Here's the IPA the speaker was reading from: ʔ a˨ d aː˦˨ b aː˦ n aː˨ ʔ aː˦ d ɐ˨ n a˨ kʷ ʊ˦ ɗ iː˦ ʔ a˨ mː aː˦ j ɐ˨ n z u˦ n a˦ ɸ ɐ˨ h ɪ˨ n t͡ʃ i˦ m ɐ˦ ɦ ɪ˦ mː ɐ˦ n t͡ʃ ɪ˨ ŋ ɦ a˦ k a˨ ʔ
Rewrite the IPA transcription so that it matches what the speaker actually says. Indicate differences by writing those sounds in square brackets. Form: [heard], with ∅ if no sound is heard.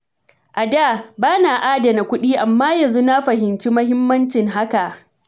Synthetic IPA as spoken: ʔ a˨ d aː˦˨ b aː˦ n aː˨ ʔ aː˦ d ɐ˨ n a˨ kʷ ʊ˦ ɗ iː˦ ʔ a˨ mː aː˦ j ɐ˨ n z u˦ n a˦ ɸ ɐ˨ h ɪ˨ n t͡ʃ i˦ m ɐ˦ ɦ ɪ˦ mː ɐ˦ n t͡ʃ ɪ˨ ŋ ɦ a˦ k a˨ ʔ